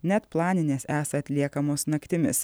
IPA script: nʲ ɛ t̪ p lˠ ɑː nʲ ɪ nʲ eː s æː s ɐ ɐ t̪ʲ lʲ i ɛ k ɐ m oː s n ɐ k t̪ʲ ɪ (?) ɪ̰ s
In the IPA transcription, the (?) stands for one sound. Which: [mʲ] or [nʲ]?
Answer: mʲ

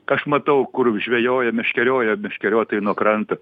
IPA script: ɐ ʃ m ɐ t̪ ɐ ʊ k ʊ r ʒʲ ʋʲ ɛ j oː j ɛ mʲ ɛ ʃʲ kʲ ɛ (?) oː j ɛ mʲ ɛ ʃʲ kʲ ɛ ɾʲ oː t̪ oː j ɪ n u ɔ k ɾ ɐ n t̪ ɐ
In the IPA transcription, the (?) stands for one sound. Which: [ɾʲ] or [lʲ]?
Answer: ɾʲ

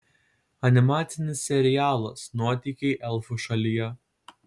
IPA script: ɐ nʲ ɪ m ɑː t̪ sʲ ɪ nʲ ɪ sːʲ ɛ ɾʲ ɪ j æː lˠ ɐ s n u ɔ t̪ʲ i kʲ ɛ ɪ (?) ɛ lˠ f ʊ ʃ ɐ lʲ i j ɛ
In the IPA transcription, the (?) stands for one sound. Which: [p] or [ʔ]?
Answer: ʔ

